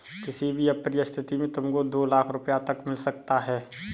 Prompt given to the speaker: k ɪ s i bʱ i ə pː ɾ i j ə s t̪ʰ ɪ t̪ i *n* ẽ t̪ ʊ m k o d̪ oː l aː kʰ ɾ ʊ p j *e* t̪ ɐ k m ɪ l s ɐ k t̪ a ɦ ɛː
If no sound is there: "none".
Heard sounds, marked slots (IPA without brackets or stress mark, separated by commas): m, a